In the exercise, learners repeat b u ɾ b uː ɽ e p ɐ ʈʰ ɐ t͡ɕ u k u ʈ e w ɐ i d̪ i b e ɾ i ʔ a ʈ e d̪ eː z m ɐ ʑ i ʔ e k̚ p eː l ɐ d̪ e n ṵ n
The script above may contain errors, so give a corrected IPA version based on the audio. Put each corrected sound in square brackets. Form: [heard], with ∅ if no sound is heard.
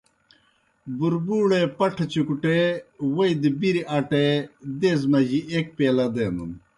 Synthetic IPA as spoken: b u ɾ b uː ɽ e p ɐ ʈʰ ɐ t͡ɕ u k u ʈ e w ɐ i d̪ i b [i] ɾ i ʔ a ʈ e d̪ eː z m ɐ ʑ i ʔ e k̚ p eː l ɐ d̪ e n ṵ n